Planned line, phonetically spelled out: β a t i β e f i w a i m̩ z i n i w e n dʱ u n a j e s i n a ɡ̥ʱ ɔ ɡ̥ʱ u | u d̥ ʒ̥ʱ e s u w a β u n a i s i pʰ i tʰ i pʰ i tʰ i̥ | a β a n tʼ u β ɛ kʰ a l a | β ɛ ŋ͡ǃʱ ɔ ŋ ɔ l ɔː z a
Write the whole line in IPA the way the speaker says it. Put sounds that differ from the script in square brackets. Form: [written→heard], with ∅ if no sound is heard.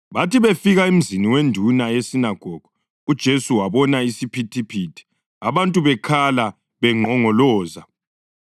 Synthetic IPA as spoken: β a t i β e f i [w→ɣ] a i m̩ z i n i w e n dʱ u n a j e s i n a ɡ̥ʱ ɔ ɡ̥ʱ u | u d̥ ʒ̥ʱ e s u w a β [u→ɔ] n a i s i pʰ i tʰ i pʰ i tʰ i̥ | a β a n tʼ u β ɛ kʰ a l a | β ɛ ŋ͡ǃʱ ɔ ŋ ɔ l ɔː z a

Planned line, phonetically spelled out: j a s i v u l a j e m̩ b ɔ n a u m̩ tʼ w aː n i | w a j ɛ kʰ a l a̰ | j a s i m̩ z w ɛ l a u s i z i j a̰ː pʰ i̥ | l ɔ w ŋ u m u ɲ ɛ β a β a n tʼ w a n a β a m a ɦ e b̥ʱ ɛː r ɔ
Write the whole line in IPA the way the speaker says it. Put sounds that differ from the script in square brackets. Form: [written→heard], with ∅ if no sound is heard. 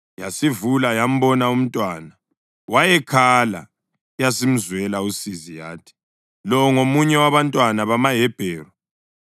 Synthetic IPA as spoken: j a s i v u l a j [e→a] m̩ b ɔ n a u m̩ tʼ w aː n [i→a] | w a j ɛ kʰ a l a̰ | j a s i m̩ z w ɛ l a u s i z i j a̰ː [pʰ→tʰ] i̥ | l ɔ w ŋ [u→o] m u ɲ ɛ [β→w] a β a n tʼ w a n a β a m a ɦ [e→ɛ] b̥ʱ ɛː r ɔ

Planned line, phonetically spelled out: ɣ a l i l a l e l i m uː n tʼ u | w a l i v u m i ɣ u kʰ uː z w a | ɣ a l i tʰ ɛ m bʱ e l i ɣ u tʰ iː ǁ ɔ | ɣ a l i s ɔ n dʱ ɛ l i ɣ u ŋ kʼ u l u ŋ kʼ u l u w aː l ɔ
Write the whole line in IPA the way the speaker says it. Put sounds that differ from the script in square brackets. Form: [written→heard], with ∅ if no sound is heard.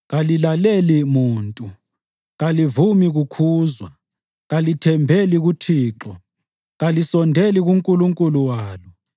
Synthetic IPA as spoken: ɣ a l i l a l e l i m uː n tʼ u | [w→ɣ] a l i v u m i ɣ u kʰ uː z w a | ɣ a l i tʰ ɛ m bʱ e l i ɣ u tʰ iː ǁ ɔ | ɣ a l i s ɔ n dʱ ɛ l i ɣ u ŋ kʼ u l u ŋ kʼ u l u w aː l ɔ

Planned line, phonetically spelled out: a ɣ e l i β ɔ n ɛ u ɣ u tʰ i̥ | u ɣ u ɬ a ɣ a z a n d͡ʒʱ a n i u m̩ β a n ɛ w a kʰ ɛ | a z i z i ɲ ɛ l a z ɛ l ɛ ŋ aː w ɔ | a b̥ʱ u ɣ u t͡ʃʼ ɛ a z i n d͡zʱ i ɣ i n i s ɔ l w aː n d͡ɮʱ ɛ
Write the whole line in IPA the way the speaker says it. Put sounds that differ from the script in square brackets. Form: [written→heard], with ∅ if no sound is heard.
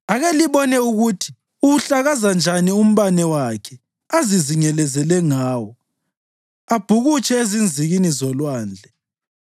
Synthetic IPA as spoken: a ɣ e l i β ɔ n ɛ u ɣ u tʰ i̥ | u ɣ u ɬ a ɣ a z a n d͡ʒʱ a n i u m̩ β a n ɛ w a kʰ ɛ | a z i z i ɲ ɛ l [a→ɛ] z ɛ l ɛ ŋ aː w ɔ | a b̥ʱ u ɣ u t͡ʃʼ ɛ [a→e] z i n d͡zʱ i ɣ i n i [s→z] ɔ l w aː n d͡ɮʱ ɛ

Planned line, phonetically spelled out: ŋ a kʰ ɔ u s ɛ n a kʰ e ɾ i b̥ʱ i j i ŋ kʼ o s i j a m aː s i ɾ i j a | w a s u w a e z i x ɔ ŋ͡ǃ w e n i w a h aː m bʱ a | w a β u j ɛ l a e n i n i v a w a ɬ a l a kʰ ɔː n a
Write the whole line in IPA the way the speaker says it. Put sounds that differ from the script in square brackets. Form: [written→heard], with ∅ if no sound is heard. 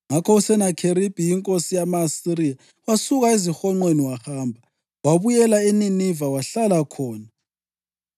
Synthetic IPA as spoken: ŋ a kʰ ɔ u s ɛ n a kʰ e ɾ i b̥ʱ i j i ŋ kʼ o s i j a m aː s i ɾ i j a | w a s u [w→ɣ] a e z i x ɔ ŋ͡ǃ w e n i w a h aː m bʱ a | w a β u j ɛ l a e n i n i v a w a ɬ a l a kʰ ɔː n a

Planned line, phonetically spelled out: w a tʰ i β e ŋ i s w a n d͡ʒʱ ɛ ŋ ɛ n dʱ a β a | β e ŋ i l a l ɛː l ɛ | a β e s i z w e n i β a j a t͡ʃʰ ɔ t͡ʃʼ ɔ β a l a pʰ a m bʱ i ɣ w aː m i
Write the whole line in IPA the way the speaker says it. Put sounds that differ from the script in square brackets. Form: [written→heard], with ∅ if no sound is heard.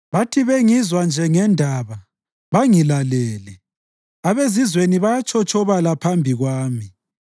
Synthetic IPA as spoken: [w→β] a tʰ i β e ŋ i [s→z] w a n d͡ʒʱ ɛ ŋ ɛ n dʱ a β a | β [e→a] ŋ i l a l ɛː l ɛ | a β e [s→z] i z w e n i β a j a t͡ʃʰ ɔ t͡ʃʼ ɔ β a l a pʰ a m bʱ i ɣ w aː m i

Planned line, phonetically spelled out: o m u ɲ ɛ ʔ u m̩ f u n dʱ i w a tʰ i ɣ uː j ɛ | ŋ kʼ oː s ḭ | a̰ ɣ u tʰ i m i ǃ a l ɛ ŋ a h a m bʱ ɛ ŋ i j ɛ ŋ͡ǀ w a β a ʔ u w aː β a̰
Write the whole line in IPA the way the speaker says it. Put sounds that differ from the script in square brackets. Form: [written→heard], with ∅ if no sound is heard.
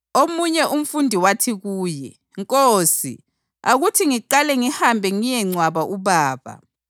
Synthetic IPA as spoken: o m u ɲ ɛ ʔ u m̩ f u n dʱ i w a tʰ i ɣ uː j ɛ | ŋ kʼ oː s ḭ | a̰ ɣ u tʰ i [m→ŋ] i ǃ a l ɛ ŋ [a→i] h a m bʱ ɛ ŋ i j ɛ ŋ͡ǀ w a β a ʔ u [w→β] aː β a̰

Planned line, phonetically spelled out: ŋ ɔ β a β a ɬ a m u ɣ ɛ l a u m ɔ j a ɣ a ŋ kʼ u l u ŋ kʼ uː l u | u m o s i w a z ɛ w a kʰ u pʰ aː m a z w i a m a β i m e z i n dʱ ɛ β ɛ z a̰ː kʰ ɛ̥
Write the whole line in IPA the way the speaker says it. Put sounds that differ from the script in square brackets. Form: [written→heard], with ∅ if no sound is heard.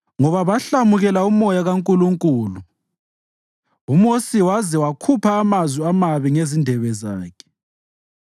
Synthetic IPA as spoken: ŋ ɔ β a β a ɬ a m u ɣ ɛ l a u m ɔ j a ɣ a ŋ kʼ u l u ŋ kʼ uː l u | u m o s i w a z ɛ w a kʰ u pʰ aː m a z w i a m a β i [m→ŋ] e z i n dʱ ɛ β ɛ z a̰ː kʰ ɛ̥

